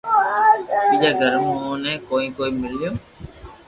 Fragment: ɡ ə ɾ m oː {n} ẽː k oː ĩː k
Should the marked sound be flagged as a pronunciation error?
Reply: no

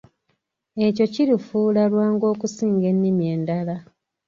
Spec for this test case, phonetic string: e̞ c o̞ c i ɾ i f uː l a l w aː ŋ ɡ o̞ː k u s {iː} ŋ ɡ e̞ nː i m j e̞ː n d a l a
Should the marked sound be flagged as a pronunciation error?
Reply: no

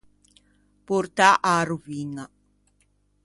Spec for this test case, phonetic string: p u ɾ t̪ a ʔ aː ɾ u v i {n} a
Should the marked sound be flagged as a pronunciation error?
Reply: yes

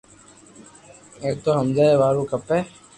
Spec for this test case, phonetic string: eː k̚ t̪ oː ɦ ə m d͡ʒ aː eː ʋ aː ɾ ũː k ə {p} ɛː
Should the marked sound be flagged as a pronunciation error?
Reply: no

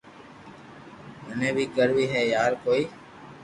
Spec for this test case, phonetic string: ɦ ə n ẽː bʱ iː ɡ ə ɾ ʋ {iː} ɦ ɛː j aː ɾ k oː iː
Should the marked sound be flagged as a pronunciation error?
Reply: no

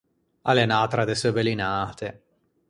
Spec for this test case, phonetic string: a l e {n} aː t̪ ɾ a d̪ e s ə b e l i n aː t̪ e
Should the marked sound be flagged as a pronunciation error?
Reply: no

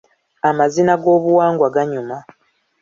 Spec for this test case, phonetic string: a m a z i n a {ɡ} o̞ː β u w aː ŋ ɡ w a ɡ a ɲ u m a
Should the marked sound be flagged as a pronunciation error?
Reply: no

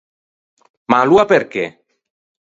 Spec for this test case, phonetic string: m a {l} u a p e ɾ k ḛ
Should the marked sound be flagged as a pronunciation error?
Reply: no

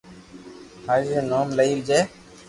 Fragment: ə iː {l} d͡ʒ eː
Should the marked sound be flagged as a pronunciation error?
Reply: no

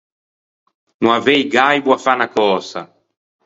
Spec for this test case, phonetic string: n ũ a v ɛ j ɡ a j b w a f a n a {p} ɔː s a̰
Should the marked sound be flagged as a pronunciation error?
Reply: yes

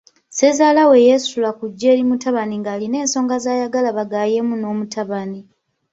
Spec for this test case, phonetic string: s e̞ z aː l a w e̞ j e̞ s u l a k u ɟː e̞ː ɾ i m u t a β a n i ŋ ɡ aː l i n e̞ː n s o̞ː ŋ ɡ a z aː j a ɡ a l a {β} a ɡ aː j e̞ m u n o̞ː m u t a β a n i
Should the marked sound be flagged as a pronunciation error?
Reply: no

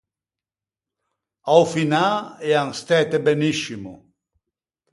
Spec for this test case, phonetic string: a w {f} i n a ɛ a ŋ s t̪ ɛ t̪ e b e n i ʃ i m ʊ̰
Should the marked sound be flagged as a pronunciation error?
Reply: no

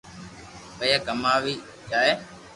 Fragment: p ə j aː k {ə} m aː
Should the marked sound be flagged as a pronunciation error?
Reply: no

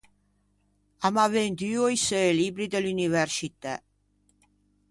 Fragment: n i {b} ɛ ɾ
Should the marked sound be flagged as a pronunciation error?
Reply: yes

